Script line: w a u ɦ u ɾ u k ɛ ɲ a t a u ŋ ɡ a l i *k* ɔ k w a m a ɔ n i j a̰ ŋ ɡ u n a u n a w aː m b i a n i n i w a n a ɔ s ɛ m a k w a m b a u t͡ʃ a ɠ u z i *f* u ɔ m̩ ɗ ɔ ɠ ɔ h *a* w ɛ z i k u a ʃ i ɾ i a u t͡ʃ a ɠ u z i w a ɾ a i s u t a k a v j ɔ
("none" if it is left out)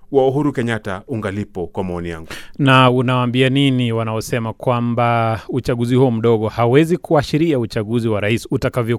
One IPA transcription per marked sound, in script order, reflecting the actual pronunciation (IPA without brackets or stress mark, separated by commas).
p, h, a